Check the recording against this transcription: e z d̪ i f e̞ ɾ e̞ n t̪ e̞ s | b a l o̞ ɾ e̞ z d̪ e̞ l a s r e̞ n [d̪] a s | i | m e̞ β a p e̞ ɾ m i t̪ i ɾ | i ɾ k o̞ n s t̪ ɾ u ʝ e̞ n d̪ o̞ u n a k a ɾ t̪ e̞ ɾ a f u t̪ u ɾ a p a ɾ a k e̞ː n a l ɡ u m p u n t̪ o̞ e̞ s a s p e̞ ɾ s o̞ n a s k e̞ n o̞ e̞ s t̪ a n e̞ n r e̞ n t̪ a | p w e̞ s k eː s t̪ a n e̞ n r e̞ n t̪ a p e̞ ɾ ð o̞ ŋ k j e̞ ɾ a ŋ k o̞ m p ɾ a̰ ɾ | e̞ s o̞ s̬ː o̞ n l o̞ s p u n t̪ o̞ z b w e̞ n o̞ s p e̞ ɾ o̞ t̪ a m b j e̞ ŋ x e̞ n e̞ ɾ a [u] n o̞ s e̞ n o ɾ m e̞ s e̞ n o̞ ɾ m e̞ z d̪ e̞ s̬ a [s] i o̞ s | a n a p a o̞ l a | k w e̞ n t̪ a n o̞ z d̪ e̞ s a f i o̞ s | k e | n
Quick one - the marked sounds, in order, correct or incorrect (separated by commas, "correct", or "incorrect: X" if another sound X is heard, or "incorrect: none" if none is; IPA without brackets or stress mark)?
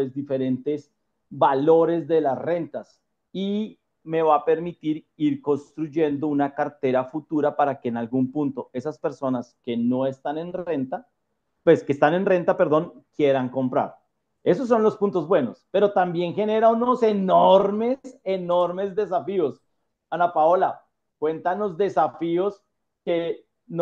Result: incorrect: t̪, correct, incorrect: f